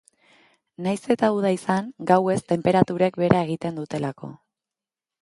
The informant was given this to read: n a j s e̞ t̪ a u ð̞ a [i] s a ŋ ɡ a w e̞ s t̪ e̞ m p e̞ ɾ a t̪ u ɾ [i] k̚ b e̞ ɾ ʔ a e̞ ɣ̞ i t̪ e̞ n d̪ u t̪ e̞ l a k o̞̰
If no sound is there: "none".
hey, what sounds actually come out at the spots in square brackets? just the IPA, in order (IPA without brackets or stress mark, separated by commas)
i, e